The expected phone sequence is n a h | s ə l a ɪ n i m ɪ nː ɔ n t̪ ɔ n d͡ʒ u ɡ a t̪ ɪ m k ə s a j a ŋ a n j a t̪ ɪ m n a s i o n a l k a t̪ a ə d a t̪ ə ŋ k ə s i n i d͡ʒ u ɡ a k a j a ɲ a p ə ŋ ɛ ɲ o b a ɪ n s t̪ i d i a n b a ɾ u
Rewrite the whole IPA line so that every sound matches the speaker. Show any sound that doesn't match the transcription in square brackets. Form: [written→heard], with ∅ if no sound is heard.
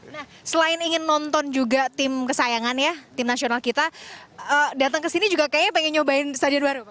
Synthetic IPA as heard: n a h | s ə l a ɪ n i [m→ŋ] ɪ nː ɔ n t̪ ɔ n d͡ʒ u ɡ a t̪ ɪ m k ə s a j a ŋ a n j a t̪ ɪ m n a s i o n a l k [a→i] t̪ a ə d a t̪ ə ŋ k ə s i n i d͡ʒ u ɡ a k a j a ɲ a p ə ŋ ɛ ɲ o b a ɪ n s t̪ [i→a] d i a n b a ɾ u